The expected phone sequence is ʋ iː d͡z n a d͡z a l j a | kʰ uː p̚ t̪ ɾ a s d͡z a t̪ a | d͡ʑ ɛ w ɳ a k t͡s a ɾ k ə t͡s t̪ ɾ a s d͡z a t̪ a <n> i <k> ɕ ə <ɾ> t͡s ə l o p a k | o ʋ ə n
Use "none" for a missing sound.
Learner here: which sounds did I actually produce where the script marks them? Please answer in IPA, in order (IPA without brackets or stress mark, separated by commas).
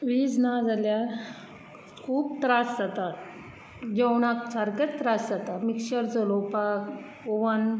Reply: m, k, ɾ